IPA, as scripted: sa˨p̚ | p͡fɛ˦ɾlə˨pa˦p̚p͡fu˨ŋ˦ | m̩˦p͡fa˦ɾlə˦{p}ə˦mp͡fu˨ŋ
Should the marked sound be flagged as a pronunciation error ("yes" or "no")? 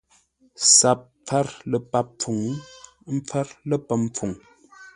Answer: no